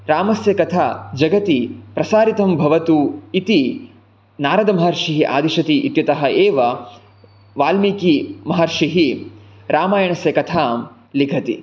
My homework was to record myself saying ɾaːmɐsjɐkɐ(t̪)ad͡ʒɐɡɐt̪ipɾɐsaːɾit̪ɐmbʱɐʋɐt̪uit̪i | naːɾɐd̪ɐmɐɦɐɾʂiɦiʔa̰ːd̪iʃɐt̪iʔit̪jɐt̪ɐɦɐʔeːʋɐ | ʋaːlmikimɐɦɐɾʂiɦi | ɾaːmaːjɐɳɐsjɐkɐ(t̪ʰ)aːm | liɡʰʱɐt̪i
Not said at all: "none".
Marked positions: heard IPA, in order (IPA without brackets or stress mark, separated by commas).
t̪ʰ, t̪ʰ